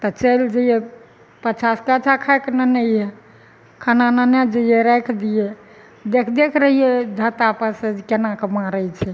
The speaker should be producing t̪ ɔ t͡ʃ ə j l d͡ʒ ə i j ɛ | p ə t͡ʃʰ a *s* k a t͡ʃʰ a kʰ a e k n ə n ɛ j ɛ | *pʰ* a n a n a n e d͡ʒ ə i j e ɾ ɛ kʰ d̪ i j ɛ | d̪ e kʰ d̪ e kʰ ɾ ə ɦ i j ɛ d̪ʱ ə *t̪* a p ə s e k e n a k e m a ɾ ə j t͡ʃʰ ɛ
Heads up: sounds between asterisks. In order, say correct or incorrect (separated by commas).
correct, incorrect, correct